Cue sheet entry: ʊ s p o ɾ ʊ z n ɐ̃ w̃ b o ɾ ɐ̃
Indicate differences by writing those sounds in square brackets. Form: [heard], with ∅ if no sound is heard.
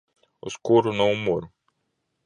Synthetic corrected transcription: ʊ s [k] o ɾ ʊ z n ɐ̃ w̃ [m] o ɾ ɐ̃